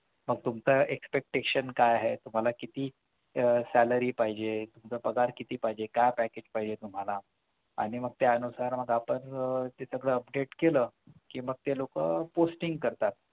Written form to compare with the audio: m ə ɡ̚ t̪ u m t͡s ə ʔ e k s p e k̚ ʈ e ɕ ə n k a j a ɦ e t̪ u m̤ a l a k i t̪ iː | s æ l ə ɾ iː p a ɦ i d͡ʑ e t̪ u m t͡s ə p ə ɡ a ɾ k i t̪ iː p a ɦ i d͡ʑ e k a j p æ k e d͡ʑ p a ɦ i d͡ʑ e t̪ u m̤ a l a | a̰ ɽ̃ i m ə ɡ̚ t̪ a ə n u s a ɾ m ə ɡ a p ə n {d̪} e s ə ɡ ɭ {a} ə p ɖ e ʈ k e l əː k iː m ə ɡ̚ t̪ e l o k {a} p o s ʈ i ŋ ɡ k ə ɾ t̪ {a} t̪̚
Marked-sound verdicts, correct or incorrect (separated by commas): incorrect, incorrect, incorrect, correct